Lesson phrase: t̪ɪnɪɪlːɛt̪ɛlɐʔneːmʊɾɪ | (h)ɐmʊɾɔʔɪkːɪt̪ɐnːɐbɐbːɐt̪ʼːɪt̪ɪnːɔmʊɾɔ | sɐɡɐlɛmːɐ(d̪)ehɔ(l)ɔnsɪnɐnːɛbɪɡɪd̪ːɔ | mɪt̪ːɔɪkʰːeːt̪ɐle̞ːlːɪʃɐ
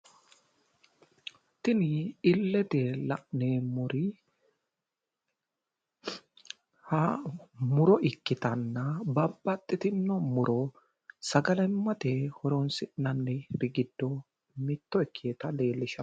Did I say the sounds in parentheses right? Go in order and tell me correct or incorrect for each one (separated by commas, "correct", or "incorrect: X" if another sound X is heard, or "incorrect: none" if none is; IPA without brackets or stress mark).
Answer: correct, incorrect: t̪, incorrect: ɾ